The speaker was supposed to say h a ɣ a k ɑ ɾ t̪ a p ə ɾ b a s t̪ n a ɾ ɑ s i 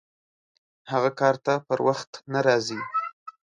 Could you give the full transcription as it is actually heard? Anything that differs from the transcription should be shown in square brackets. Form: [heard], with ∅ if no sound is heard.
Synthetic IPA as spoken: h a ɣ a k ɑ ɾ t̪ a p ə ɾ [w] a [x] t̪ n a ɾ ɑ [z] i

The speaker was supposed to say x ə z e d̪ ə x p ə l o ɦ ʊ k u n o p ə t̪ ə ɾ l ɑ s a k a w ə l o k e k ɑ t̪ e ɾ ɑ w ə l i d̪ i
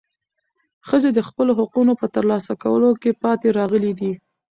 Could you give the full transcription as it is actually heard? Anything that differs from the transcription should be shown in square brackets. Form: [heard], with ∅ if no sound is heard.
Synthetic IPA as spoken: x ə z e d̪ ə x p ə l o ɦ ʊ [q] u n o p ə t̪ ə ɾ l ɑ s a k a w ə l o k e [p] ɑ t̪ e ɾ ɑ [ɣ] ə l i d̪ i

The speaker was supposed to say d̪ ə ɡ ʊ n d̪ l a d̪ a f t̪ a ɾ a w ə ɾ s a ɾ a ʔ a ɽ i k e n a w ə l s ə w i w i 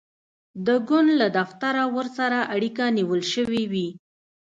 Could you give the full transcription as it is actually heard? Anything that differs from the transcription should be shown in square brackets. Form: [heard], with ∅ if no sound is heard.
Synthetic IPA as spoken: d̪ ə ɡ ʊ n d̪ l a d̪ a f t̪ a ɾ a w ə ɾ s a ɾ a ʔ a ɽ i k [a] n [i] w ə l [ʃ] ə w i w i

